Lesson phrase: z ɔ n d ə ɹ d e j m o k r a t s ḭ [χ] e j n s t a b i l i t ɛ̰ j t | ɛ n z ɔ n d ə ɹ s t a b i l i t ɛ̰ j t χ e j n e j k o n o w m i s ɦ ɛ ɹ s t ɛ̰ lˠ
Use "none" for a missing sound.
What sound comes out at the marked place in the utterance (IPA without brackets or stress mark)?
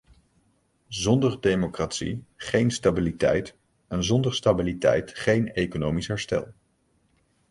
χ